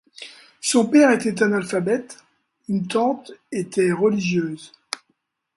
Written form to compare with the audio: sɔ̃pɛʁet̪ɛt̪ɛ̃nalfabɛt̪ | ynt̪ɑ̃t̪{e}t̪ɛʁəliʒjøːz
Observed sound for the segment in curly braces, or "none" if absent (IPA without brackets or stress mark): e